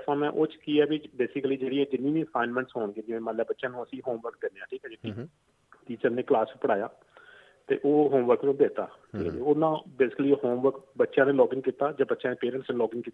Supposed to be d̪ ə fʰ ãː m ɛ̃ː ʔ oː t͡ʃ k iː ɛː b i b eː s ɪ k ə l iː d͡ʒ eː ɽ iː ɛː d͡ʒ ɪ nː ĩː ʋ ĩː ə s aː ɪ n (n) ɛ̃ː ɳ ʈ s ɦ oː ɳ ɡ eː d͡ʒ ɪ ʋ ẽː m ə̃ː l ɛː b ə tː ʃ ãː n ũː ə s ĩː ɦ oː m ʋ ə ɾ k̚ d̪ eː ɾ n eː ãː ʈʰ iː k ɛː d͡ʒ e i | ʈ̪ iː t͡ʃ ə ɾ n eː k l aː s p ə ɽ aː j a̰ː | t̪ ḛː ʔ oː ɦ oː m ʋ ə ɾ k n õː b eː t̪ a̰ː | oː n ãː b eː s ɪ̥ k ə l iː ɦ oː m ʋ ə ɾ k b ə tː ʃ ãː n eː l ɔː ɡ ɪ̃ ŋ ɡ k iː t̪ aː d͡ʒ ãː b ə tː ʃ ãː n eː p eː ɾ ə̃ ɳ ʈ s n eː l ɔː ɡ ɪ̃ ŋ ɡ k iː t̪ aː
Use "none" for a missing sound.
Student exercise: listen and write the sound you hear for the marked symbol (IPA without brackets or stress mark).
m